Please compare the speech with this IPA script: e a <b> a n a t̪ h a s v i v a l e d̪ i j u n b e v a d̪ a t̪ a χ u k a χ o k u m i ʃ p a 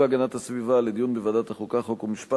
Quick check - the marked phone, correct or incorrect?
incorrect